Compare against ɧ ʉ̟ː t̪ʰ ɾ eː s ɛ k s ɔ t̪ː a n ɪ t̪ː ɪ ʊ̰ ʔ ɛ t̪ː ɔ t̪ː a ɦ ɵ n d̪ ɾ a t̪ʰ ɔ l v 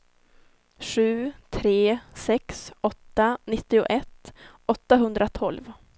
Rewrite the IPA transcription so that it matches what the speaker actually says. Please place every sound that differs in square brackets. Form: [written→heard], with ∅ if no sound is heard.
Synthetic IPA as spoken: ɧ ʉ̟ː t̪ʰ ɾ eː s ɛ k s ɔ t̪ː a n ɪ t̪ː ɪ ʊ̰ ʔ ɛ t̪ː ɔ t̪ː a ɦ ɵ n d̪ ɾ a t̪ʰ ɔ l v

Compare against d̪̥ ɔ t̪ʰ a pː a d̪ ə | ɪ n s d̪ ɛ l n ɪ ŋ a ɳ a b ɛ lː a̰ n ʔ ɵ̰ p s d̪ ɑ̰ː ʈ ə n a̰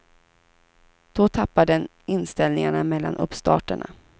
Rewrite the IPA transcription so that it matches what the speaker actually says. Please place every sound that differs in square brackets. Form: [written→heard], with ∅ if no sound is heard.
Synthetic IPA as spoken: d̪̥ ɔ t̪ʰ a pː a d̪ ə | ɪ n s [d̪→t̪] ɛ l n ɪ ŋ a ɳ a [b→m] ɛ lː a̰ n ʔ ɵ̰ p s [d̪→t̪] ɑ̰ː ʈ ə [n→ɳ] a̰

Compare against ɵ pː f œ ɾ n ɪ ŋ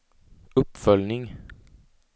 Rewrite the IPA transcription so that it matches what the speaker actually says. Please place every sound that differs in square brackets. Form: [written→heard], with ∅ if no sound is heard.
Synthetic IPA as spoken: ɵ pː f œ [ɾ→l] n ɪ ŋ

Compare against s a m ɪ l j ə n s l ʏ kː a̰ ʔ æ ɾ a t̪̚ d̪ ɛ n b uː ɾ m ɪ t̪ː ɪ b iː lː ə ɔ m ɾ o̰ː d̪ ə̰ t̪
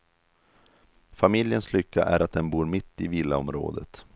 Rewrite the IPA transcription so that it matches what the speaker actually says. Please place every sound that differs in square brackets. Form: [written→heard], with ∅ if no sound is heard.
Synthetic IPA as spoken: [s→f] a m ɪ l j ə n s l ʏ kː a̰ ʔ æ ɾ a t̪̚ d̪ ɛ n b uː ɾ m ɪ t̪ː ɪ [b→v] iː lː [ə→a] ɔ m ɾ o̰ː d̪ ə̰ t̪

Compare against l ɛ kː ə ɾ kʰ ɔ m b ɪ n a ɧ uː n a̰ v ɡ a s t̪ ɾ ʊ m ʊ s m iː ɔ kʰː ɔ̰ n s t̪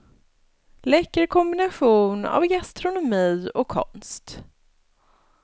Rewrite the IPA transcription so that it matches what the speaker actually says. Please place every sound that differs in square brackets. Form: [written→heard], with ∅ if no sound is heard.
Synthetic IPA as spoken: l ɛ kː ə ɾ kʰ ɔ m b ɪ n a ɧ uː n a̰ v ɡ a s t̪ ɾ ʊ [m→n] ʊ [s→∅] m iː ɔ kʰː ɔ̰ n s t̪

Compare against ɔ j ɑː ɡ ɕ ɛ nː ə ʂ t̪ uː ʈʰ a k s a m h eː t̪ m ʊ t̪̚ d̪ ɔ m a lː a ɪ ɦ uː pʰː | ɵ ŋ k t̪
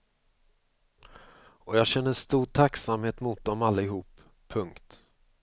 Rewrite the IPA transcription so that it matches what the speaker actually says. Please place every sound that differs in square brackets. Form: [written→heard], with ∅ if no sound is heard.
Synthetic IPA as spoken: ɔ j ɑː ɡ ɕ ɛ nː ə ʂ t̪ uː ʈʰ a k s a m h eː t̪ m ʊ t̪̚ d̪ ɔ m a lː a ɪ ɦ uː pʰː | ɵ ŋ k t̪

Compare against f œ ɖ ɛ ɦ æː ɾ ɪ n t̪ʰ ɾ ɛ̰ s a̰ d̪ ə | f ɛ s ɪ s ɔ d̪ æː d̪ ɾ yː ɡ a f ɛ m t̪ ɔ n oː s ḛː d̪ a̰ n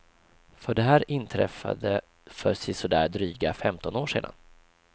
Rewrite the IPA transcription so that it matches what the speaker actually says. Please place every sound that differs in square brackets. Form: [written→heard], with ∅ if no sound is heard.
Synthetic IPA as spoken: f œ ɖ ɛ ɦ æː ɾ ɪ n t̪ʰ ɾ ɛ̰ [s→f] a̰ d̪ ə | f [ɛ→œ] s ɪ s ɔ d̪ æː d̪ ɾ yː ɡ a f ɛ m t̪ ɔ n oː [s→ʂ] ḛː d̪ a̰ n

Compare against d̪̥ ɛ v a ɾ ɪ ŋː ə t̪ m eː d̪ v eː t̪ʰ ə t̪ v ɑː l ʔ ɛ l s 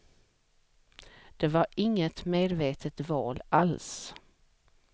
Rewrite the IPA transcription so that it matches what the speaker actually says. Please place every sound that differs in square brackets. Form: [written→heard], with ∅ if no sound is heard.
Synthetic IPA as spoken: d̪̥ ɛ v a ɾ ɪ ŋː ə t̪ m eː d̪ v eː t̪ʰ ə t̪ v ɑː l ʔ [ɛ→a] l s

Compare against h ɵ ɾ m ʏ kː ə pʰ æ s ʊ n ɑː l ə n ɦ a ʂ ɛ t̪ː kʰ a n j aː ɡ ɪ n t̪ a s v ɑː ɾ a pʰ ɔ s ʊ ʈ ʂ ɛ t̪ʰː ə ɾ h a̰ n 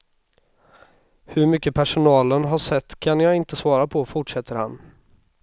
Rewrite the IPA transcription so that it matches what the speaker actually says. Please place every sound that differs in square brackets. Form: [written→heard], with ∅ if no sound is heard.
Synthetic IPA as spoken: h ɵ ɾ m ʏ kː ə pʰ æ [s→ʂ] ʊ n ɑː l ə n ɦ a ʂ ɛ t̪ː kʰ a n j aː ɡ ɪ n t̪ [a→ə] s v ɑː ɾ a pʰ ɔ [s→f] ʊ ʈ ʂ ɛ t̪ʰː ə ɾ h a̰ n

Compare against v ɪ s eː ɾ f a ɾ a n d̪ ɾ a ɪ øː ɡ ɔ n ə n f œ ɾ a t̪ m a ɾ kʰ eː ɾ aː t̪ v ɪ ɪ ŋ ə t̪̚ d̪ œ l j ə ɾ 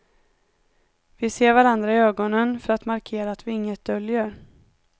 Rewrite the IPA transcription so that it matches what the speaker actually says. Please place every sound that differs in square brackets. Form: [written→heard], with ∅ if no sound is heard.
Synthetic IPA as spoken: v ɪ s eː ɾ [f→v] a ɾ a n d̪ ɾ a ɪ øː ɡ ɔ n ə n f œ ɾ a t̪ m a ɾ kʰ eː ɾ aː t̪ v ɪ ɪ [ŋ→ŋː] ə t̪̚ d̪ œ l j ə ɾ

